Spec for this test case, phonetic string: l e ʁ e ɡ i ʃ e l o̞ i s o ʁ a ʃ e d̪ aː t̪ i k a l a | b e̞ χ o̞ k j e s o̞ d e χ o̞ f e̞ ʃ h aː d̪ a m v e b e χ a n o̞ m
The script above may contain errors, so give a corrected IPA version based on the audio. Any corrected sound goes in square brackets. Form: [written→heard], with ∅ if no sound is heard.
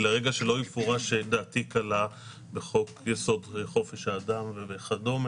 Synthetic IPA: l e ʁ e ɡ [i→a] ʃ e l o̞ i [s→f] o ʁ a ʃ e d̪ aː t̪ i k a l a | b e̞ χ o̞ k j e s o̞ d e χ o̞ f e̞ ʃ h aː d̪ a m v e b e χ a [n→d] o̞ m

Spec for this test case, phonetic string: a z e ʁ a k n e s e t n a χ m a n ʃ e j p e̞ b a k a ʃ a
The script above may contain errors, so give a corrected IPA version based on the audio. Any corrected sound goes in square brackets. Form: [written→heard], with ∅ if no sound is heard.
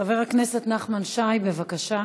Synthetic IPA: a [z→v] e ʁ a k n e s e t n a χ m a n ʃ [e→a] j [p→b] e̞ [b→v] a k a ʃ a

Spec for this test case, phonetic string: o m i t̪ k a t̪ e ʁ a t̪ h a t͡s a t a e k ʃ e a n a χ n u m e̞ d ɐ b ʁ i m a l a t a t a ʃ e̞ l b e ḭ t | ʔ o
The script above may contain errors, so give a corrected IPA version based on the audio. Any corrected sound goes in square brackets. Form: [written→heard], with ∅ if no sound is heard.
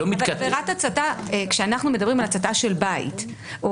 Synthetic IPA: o m i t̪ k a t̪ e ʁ a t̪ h a t͡s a t a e k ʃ e a n a χ n u m e̞ d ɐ b ʁ i m a l a [t→t͡s] a t a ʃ e̞ l b [e→a] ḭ t | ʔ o

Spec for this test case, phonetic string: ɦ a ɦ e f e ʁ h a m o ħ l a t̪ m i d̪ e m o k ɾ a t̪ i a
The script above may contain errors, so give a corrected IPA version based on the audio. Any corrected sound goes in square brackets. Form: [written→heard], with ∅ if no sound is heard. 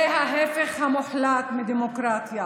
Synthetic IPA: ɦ a ɦ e f e [ʁ→χ] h a m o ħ l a t̪ m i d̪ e m o k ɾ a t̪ [i→j] a

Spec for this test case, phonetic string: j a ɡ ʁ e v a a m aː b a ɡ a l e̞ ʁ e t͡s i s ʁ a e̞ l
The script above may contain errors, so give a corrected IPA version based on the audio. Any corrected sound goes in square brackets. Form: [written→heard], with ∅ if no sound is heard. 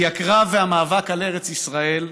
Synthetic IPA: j a [ɡ→k] ʁ [e→a] v [a→e] a m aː [b→v] a [ɡ→k] a l e̞ ʁ e t͡s i s ʁ a e̞ l

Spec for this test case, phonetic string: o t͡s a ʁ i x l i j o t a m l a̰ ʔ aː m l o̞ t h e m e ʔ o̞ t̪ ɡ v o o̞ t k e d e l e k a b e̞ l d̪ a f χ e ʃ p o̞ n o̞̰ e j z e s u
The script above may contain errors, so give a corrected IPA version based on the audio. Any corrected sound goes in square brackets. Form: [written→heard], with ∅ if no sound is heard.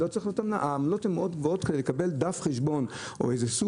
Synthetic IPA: o t͡s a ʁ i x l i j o t a m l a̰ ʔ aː m l o̞ t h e m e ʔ o̞ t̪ ɡ v o o̞ t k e d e l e k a b e̞ l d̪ a f χ e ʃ [p→b] o̞ n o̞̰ e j z e s u

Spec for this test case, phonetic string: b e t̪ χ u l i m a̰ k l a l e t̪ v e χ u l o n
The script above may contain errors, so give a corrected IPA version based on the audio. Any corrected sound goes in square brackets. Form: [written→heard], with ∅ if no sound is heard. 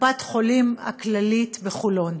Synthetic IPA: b [e→a] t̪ χ [u→o] l i m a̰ k l a l [e→i] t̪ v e χ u l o n

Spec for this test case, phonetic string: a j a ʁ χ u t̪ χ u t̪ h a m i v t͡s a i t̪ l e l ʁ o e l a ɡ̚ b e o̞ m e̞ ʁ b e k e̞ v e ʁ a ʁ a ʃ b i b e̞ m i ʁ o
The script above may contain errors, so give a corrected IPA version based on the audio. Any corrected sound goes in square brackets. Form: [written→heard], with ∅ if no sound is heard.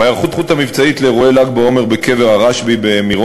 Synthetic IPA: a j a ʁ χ u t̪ χ u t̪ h a m i v t͡s a i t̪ l e [l→∅] ʁ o e l a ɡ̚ b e o̞ m e̞ ʁ b e k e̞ v e ʁ a ʁ a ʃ b i b e̞ m i ʁ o

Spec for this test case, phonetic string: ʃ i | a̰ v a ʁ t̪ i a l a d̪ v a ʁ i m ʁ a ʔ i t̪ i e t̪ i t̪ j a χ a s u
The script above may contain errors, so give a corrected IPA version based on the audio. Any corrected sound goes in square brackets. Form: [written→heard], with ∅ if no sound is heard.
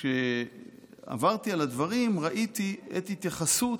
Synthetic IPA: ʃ [i→e] | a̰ v a ʁ t̪ i a l a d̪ v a ʁ i m ʁ a ʔ i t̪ i e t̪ i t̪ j a χ a s u

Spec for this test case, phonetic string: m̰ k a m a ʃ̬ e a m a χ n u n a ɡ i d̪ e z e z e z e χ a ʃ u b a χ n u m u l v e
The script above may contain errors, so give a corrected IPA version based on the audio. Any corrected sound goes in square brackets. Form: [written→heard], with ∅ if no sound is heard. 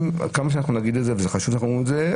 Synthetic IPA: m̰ k a m a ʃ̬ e a [m→n] a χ n u n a ɡ i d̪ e z e [z→v] e z e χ a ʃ u [b→v] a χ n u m u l [v→z] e

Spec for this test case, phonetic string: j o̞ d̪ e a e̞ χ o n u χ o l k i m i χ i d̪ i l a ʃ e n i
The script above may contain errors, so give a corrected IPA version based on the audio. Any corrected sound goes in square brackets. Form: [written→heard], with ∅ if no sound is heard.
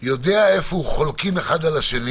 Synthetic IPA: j o̞ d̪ e a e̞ [χ→f] o [n→∅] u χ o l k i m [i→e] χ [i→a] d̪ [i→a] l a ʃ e n i

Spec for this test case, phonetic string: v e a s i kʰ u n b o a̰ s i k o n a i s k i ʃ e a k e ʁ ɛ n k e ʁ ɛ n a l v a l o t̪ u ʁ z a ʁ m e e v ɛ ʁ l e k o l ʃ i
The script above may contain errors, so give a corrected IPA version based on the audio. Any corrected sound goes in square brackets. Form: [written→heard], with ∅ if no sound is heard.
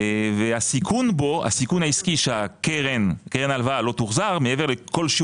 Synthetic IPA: v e a s i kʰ u n b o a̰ s i k [o→u] n a i s k i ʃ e a k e ʁ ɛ n k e ʁ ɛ n a l v a l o t̪ u ʁ z a ʁ m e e v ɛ ʁ l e k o l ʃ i

